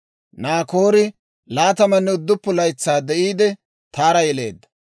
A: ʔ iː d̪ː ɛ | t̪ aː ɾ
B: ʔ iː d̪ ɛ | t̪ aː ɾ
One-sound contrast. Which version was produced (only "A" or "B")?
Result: B